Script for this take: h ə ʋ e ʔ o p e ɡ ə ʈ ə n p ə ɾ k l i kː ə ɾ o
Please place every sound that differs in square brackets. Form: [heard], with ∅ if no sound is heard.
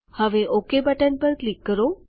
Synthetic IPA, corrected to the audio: h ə ʋ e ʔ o [k] e [b] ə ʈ ə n p ə ɾ k l i kː ə ɾ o